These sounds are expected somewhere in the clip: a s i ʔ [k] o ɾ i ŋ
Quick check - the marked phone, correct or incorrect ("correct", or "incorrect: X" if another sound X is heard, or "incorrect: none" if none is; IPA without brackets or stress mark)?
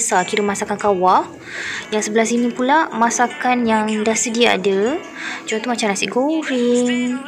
incorrect: ɡ